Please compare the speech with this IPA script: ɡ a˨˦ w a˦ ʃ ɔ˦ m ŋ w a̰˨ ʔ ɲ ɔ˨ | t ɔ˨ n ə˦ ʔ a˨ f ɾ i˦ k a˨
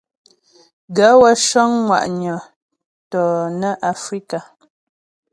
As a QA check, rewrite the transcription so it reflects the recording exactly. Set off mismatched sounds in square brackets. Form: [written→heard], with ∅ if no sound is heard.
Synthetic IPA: ɡ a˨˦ w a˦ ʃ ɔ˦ [m→ŋ] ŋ w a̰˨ ʔ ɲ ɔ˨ | t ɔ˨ n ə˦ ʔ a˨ f ɾ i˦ k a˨

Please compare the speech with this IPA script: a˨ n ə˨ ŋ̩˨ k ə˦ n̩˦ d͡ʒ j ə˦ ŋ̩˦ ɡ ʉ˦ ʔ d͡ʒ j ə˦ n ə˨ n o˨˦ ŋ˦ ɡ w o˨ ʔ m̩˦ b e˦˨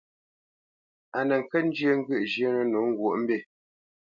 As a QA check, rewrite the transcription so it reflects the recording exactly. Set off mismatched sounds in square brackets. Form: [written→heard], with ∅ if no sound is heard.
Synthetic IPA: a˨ n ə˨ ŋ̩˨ k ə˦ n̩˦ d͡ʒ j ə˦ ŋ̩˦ ɡ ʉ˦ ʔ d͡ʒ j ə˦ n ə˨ n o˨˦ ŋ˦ ɡ w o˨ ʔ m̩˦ b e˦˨

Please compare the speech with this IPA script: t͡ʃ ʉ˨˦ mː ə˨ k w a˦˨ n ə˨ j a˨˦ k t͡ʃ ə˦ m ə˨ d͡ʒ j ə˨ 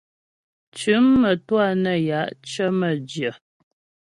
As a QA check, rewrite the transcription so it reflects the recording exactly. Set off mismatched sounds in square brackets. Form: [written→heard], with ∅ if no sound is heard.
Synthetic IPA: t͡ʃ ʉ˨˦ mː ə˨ [k→t] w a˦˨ n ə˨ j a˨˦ [k→ʔ] t͡ʃ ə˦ m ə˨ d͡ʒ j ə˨

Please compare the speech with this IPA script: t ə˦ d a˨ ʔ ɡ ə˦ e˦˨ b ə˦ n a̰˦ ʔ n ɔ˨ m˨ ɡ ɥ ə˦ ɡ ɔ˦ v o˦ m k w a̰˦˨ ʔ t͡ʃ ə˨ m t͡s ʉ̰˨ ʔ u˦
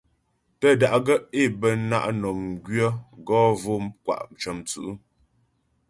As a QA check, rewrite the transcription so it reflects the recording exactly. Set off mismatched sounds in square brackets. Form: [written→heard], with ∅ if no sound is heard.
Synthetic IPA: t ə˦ d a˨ ʔ ɡ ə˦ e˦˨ b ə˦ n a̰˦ ʔ n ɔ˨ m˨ ɡ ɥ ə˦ ɡ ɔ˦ v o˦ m k w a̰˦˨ ʔ t͡ʃ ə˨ m t͡s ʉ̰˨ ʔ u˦

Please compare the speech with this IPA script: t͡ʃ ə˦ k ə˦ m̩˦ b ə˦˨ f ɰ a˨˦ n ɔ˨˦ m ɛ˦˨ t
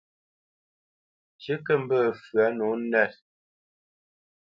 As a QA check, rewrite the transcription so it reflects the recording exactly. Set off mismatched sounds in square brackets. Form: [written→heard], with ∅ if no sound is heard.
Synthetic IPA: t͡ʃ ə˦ k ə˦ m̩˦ b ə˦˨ f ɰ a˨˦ n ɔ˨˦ [m→n] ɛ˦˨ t

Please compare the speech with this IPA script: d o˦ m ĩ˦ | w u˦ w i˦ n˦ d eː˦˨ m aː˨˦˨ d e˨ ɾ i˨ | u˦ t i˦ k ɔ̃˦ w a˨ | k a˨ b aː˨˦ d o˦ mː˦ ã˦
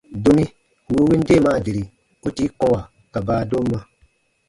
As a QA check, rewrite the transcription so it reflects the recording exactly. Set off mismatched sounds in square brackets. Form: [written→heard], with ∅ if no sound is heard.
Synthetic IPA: d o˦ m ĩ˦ | w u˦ w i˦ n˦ d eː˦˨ m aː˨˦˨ d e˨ ɾ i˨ | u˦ t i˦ k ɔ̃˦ w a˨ | k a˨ b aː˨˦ d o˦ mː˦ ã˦

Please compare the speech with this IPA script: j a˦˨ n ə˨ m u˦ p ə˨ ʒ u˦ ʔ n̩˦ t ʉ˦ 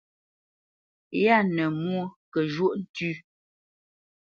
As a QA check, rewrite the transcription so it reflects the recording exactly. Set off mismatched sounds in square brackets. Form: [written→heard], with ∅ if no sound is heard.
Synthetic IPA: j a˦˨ n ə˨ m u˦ [p→k] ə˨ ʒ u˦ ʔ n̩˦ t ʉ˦

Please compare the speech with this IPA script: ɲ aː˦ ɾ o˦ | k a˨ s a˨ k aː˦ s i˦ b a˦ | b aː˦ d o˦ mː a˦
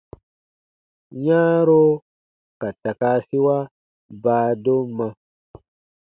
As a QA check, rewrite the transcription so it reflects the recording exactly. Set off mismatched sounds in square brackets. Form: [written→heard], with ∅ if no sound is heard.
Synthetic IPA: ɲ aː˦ ɾ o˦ | k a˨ [s→t] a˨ k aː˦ s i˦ [b→w] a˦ | b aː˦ d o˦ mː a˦

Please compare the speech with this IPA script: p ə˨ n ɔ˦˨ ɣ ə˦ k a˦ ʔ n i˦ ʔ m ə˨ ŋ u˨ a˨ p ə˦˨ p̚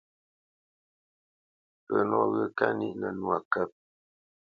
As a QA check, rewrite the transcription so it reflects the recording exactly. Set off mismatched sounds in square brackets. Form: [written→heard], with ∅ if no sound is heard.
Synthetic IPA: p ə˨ n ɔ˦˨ ɣ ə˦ k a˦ [ʔ→∅] n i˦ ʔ [m→n] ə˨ [ŋ→n] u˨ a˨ [p→k] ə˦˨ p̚

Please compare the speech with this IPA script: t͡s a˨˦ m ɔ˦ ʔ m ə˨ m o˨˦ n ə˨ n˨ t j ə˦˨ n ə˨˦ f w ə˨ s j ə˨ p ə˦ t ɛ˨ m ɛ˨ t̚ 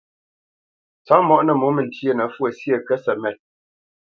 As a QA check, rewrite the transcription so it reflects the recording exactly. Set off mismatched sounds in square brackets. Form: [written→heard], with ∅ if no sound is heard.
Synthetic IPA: t͡s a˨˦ m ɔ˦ ʔ [m→n] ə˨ m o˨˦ [n→m] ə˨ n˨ t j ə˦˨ n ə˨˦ f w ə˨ s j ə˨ [p→k] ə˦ [t→s] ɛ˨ m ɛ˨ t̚

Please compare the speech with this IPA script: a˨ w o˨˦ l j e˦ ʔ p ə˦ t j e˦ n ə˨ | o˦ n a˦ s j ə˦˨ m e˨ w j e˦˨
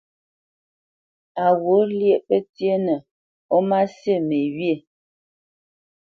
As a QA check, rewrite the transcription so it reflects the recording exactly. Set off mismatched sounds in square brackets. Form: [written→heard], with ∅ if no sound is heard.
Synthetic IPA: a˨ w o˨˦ l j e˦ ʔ p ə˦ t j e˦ n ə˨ | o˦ [n→m] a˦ s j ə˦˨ m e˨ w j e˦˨

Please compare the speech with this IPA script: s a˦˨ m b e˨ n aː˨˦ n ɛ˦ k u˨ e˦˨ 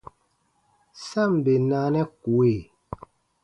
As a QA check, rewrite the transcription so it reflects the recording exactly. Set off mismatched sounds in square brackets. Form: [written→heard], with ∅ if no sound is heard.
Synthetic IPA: s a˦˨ m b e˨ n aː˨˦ n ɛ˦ k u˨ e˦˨

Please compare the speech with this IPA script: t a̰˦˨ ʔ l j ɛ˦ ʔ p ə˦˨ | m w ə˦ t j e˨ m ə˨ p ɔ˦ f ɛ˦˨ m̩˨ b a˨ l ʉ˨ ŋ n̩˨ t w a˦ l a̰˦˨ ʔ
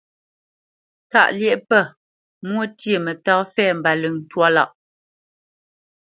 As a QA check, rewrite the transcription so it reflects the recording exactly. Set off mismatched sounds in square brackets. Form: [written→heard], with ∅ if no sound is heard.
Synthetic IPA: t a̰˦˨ ʔ l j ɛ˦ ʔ p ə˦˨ | m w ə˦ t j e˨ m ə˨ [p→t] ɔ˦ f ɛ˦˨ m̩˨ b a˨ l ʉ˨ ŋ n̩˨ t w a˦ l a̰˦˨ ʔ

